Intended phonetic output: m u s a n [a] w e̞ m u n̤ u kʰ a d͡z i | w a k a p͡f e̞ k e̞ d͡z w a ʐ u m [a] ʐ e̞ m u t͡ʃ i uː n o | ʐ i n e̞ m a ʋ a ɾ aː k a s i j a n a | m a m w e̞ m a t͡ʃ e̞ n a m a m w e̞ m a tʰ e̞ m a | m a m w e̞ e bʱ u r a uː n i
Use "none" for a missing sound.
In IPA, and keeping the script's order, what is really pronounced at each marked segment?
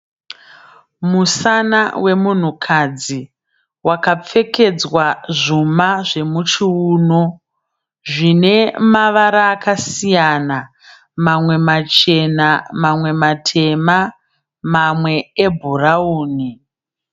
a, a

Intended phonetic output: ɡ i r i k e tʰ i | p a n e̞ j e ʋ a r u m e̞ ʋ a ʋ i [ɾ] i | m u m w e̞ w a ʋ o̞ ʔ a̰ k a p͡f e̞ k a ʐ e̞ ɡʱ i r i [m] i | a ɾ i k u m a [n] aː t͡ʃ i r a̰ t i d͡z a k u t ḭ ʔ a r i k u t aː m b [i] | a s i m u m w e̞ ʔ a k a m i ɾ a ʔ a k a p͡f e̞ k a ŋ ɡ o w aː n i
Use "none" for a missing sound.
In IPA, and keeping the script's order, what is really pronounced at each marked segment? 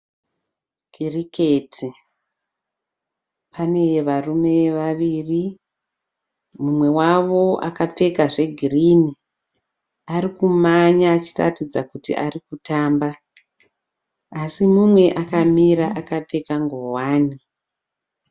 r, n, ɲ, a

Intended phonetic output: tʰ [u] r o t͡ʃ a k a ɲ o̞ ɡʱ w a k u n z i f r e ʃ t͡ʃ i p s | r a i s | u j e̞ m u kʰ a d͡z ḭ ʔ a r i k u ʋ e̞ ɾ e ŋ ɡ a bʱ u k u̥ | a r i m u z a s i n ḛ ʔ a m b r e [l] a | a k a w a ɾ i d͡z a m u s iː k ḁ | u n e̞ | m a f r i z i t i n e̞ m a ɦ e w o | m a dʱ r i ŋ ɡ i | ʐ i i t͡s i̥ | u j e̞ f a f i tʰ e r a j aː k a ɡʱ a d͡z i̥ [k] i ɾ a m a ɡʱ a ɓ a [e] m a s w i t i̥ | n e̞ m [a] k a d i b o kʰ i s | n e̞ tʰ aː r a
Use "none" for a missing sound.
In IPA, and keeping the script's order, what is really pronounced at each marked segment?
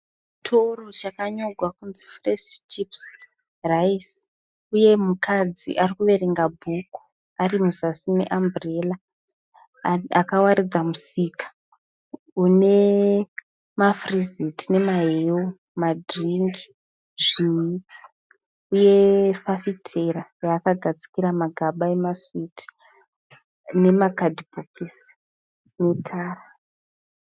o, l, k, e, a

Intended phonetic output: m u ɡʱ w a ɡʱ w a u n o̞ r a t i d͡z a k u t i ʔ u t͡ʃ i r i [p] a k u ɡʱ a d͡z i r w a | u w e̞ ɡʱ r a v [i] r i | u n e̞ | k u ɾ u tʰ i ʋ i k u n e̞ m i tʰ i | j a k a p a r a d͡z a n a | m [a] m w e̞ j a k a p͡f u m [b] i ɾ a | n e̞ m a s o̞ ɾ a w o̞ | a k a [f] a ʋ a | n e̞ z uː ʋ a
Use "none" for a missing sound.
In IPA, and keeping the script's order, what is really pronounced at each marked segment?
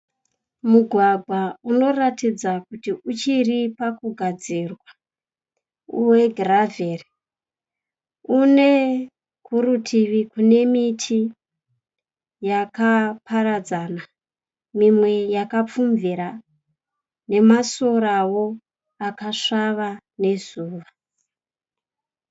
p, e, i, v, ʂ

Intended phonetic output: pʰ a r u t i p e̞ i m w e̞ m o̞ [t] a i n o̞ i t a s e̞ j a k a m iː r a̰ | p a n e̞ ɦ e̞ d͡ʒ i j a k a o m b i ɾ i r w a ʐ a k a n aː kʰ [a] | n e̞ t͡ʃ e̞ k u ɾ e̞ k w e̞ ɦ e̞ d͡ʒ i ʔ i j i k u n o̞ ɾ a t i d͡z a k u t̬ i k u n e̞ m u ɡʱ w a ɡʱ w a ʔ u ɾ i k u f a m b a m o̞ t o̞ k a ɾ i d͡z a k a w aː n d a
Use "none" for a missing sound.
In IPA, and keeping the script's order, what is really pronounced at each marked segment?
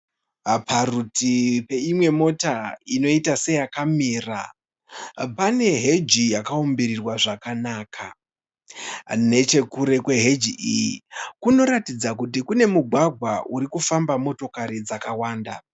t, a

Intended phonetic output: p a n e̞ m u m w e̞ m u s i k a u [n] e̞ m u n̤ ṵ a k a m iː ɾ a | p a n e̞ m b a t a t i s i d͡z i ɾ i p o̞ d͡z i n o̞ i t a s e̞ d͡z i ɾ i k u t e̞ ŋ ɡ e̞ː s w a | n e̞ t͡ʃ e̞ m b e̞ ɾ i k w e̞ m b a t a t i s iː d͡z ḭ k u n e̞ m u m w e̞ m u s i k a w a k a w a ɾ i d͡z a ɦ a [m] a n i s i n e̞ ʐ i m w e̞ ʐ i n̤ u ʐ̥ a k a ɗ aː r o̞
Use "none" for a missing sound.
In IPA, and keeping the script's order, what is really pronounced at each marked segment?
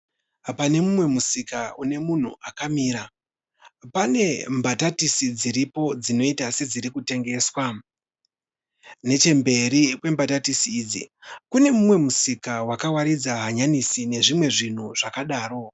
n, ɲ

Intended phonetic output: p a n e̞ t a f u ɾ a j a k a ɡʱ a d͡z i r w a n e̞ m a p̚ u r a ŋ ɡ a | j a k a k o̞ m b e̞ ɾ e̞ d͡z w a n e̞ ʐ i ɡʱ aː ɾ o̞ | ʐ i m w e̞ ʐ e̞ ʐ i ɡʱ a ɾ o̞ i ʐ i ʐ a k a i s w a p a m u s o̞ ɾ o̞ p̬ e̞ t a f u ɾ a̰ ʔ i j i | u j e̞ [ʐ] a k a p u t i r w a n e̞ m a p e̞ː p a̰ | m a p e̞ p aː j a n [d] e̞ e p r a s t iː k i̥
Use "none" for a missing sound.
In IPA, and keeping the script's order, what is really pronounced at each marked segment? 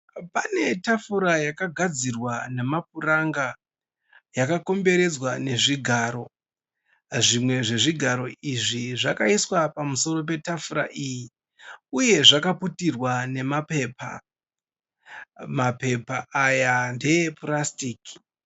ʐ, d

